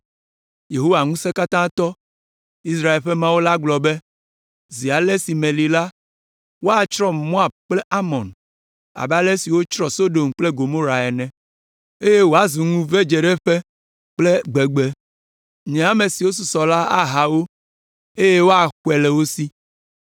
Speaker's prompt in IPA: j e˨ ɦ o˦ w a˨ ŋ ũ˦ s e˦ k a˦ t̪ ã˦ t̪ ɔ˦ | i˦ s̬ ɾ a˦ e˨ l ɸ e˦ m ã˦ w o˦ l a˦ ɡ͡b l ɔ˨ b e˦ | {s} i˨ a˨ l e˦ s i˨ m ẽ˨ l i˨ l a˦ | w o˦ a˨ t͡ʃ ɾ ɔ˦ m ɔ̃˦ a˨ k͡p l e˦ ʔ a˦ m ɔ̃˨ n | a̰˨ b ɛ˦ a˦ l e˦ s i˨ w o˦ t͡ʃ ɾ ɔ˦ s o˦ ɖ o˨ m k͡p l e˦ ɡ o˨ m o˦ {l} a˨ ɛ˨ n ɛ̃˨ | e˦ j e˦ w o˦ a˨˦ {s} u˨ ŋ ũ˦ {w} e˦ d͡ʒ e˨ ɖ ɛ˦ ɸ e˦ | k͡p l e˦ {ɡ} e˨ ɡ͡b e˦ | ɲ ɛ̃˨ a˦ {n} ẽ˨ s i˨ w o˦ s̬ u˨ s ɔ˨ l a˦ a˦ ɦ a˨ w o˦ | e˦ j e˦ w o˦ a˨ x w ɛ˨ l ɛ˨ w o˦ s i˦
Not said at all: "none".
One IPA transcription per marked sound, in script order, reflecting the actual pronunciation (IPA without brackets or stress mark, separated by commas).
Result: z, ɾ, z, v, ɡ͡b, m